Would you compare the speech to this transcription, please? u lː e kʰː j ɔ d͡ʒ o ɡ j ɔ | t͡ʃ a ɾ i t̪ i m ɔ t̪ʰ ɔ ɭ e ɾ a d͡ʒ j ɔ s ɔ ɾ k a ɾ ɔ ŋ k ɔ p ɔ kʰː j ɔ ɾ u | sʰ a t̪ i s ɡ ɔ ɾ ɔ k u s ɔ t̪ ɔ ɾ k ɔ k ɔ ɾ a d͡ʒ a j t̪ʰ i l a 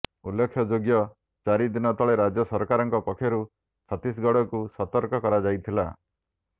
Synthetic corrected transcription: u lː e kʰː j ɔ d͡ʒ o ɡ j ɔ | t͡ʃ a ɾ i d̪ i n ɔ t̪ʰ ɔ ɭ e ɾ a d͡ʒ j ɔ s ɔ ɾ k a ɾ ɔ ŋ k ɔ p ɔ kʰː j ɔ ɾ u | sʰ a t̪ i s ɡ ɔ ɽ ɔ k u s ɔ t̪ ɔ ɾ k ɔ k ɔ ɾ a d͡ʒ a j t̪ʰ i l a

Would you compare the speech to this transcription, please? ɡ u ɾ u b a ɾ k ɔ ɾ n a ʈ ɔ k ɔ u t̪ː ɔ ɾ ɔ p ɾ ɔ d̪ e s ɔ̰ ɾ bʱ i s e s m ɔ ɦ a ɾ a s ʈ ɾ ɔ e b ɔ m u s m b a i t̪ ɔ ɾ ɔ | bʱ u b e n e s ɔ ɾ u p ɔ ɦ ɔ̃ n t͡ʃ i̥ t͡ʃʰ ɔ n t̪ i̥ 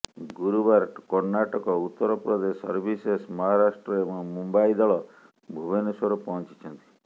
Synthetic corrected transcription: ɡ u ɾ u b a ɾ k ɔ ɾ n a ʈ ɔ k ɔ u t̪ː ɔ ɾ ɔ p ɾ ɔ d̪ e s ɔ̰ ɾ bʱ i s e s m ɔ ɦ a ɾ a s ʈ ɾ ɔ e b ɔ m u m b a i d̪ ɔ ɭ ɔ | bʱ u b e n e s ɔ ɾ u p ɔ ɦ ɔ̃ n t͡ʃ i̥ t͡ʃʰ ɔ n t̪ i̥

